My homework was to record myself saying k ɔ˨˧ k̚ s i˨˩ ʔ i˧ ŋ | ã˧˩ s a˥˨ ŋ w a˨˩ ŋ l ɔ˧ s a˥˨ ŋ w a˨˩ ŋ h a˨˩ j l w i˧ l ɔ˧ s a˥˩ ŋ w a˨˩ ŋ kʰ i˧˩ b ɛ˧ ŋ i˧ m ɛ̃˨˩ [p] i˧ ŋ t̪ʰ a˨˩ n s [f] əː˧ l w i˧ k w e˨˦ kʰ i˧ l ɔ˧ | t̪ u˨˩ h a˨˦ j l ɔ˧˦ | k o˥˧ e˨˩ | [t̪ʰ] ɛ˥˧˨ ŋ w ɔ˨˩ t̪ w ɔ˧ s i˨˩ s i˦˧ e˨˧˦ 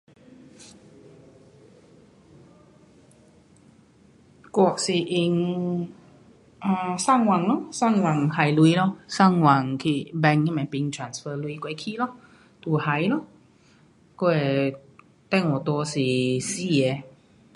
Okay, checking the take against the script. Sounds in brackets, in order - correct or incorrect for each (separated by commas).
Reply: correct, correct, incorrect